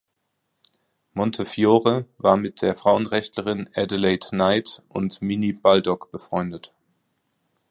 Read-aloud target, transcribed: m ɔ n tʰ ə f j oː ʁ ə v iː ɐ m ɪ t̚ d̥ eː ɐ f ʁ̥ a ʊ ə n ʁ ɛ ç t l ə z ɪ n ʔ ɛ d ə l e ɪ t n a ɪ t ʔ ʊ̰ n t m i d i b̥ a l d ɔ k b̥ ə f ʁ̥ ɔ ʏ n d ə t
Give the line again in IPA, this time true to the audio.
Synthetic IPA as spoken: m ɔ n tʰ ə f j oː ʁ ə v aː ɐ m ɪ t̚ d̥ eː ɐ f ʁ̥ a ʊ ə n ʁ ɛ ç t l ə ʁ ɪ n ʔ ɛ d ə l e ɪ t n a ɪ t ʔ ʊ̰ n t m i n i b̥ a l d ɔ k b̥ ə f ʁ̥ ɔ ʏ n d ə t